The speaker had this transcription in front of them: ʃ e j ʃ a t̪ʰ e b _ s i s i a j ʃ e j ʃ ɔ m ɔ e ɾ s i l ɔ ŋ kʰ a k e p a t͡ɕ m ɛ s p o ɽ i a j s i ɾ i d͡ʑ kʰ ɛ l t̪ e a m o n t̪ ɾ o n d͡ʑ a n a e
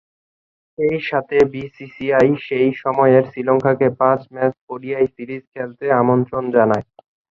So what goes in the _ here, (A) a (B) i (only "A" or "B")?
B